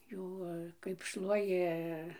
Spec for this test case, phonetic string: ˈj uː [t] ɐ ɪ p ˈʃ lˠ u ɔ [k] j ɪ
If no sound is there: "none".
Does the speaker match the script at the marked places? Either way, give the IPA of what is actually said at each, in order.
k, none

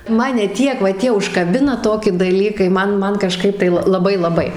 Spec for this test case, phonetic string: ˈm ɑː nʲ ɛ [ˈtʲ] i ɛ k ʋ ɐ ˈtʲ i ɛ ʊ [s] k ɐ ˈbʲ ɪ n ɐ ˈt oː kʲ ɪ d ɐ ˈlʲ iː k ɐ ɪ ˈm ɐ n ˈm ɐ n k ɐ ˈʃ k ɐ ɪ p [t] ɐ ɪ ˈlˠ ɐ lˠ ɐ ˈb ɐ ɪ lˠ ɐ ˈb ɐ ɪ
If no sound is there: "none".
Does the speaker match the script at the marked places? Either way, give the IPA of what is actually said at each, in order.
tʲ, ʃ, t

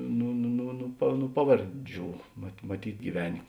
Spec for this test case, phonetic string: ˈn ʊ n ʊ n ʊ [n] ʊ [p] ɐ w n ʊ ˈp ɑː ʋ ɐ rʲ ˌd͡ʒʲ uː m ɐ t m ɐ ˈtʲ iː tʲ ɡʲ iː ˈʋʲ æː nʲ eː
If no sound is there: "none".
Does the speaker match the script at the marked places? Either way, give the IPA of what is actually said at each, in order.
n, p

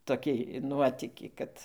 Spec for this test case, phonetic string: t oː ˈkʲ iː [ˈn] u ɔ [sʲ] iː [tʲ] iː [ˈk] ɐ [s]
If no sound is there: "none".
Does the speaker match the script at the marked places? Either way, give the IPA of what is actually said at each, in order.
n, tʲ, kʲ, k, t

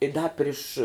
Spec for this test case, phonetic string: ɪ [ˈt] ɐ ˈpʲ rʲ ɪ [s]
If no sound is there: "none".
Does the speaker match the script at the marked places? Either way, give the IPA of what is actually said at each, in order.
d, ʃ

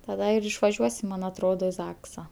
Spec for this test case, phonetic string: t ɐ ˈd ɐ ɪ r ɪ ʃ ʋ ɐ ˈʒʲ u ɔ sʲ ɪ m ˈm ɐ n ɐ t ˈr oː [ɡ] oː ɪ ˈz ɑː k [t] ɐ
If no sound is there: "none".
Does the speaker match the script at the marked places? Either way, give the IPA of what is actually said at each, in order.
d, s

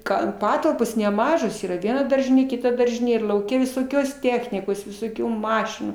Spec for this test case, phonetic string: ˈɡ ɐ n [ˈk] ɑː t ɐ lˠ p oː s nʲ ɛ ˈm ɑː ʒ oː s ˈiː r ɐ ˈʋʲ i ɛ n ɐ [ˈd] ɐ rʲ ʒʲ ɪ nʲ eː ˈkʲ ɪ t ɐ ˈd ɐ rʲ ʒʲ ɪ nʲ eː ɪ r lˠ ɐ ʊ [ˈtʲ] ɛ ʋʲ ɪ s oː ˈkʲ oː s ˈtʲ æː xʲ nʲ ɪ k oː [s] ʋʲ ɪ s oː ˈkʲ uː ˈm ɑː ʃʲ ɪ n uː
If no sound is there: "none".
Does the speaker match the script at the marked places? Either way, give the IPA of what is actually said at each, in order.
p, d, kʲ, s

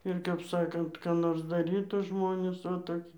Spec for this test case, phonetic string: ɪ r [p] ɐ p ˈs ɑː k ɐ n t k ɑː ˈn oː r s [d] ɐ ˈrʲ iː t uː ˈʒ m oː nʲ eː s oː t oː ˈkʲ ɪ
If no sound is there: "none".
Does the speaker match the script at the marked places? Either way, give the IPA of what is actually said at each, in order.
k, d

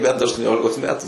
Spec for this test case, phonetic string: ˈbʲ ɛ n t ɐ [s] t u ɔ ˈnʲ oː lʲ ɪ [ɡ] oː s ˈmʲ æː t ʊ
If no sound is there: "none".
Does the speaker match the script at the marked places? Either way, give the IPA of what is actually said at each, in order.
ʃ, k

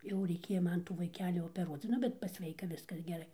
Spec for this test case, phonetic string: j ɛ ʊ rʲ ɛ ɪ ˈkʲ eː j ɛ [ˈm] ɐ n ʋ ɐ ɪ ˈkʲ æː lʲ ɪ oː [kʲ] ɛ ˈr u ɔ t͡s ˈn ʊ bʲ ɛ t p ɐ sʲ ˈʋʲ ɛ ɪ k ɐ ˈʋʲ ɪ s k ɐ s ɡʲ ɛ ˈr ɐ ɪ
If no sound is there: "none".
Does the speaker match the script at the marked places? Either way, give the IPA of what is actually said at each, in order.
m, pʲ

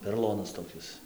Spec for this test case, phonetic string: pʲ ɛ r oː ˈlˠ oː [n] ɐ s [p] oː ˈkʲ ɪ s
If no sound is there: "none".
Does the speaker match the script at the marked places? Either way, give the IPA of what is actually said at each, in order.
n, t

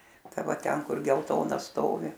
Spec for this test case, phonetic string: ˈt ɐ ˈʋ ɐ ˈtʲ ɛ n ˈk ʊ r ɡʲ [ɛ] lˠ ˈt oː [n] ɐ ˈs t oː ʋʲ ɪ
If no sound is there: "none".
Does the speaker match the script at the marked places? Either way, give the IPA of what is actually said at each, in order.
ɛ, n

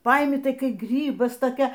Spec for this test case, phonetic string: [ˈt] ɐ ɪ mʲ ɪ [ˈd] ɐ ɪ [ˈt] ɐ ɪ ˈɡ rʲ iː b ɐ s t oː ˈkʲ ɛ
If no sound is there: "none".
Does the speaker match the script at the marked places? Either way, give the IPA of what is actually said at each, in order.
p, t, k

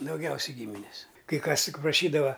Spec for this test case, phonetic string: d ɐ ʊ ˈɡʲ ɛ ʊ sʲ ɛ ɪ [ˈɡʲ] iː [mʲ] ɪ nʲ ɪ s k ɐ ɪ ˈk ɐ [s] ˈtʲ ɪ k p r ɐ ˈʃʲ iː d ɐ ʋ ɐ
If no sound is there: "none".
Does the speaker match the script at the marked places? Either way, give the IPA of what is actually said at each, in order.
ɡʲ, mʲ, s

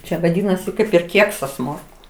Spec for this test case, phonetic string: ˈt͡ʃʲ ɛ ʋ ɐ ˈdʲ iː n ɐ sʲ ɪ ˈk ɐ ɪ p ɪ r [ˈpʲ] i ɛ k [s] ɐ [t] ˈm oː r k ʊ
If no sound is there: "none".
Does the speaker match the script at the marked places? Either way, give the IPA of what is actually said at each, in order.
kʲ, s, s

